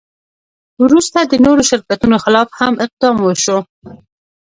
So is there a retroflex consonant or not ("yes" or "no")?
no